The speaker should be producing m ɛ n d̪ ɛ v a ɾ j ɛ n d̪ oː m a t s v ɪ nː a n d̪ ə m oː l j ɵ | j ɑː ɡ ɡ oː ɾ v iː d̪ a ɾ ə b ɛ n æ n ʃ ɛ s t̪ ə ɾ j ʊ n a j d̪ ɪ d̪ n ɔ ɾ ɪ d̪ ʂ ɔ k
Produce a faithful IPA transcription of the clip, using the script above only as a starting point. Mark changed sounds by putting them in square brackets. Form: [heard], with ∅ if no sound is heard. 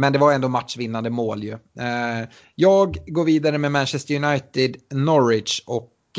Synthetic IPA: m ɛ n d̪ ɛ v a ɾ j ɛ n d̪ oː m a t [ʂ] v ɪ nː a n d̪ ə m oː l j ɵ | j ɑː ɡ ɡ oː ɾ v iː d̪ a ɾ ə [m] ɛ [m] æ n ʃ ɛ s t̪ ə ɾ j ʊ n a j [t̪] ɪ d̪ n ɔ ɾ ɪ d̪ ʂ ɔ k